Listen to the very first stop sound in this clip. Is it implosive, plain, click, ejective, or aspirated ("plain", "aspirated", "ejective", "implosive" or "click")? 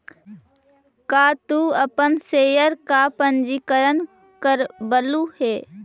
plain